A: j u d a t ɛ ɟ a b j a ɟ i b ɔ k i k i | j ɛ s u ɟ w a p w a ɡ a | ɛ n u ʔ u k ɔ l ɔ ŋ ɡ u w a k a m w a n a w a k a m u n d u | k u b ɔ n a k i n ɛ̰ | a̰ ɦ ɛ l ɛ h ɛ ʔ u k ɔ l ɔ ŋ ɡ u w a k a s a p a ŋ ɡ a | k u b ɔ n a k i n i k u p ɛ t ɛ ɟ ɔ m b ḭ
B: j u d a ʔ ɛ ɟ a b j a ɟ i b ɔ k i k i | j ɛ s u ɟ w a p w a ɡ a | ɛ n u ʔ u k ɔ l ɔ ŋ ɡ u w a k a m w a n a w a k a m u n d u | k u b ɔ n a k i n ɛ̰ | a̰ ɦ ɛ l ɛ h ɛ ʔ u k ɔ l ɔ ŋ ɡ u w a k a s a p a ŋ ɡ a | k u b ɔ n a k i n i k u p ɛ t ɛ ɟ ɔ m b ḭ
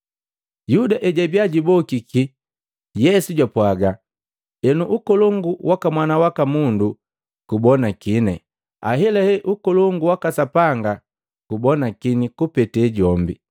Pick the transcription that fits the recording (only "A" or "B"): B